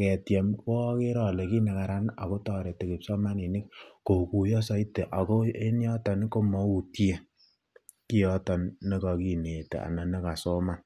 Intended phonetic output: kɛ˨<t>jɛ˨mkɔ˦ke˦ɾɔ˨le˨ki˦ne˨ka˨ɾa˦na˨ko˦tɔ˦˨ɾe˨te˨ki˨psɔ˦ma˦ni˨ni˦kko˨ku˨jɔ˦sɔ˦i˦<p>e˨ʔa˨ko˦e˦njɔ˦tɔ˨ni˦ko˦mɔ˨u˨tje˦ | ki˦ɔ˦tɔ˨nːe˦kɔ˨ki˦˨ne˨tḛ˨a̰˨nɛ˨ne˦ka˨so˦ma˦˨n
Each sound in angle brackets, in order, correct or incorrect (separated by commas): correct, incorrect